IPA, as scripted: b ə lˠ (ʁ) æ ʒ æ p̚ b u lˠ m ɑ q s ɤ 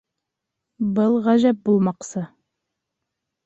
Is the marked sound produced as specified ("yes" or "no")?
yes